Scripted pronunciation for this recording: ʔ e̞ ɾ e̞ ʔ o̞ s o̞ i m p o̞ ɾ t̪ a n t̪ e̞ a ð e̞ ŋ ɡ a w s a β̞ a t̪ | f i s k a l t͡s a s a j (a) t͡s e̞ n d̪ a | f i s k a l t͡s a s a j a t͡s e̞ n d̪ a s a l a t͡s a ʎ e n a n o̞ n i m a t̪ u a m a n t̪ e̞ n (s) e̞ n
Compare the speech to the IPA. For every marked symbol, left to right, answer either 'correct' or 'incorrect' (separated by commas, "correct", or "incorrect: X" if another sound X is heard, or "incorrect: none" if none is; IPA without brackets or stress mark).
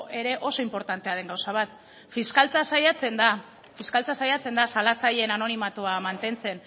correct, incorrect: t͡s